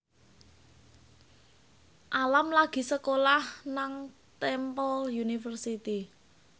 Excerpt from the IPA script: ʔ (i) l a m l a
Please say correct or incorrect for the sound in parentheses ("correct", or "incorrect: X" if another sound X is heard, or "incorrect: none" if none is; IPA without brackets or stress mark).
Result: incorrect: a